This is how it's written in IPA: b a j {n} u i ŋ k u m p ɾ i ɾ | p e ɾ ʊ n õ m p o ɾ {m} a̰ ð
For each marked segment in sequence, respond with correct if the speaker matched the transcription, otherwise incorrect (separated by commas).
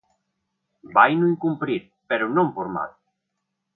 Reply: correct, correct